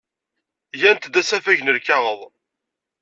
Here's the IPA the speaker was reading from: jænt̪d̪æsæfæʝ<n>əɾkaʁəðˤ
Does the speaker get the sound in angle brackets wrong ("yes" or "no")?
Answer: no